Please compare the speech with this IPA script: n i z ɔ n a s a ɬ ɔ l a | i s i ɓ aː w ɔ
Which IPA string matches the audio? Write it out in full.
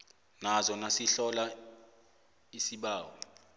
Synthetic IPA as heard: n a z ɔ n a s i ɬ ɔ l a | i s i ɓ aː w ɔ